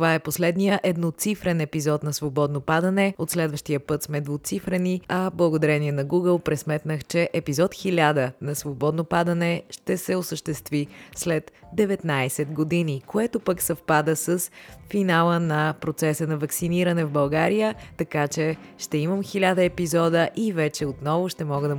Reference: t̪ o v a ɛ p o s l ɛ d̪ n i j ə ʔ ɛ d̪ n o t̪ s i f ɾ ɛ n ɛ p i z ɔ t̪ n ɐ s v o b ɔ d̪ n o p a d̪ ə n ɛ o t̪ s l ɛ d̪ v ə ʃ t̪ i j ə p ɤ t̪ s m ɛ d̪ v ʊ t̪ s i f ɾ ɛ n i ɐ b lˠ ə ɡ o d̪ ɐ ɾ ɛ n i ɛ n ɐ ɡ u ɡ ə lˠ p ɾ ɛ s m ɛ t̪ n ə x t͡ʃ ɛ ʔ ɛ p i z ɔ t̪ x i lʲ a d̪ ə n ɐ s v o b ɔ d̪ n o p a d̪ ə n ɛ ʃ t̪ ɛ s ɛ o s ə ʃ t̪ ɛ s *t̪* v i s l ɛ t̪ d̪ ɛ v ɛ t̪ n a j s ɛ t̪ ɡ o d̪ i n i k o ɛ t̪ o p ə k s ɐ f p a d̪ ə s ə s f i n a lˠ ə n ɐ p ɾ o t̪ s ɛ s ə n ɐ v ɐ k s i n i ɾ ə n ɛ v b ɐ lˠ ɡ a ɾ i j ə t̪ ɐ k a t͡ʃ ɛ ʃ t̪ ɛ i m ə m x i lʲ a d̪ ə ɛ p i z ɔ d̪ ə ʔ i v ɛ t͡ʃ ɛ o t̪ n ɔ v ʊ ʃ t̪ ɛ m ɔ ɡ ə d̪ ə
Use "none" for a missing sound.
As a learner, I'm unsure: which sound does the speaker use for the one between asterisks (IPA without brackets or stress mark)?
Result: t̪